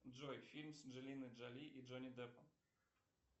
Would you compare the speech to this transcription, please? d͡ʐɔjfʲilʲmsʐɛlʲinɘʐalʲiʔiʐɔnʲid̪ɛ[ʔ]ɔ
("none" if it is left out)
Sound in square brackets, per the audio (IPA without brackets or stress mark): p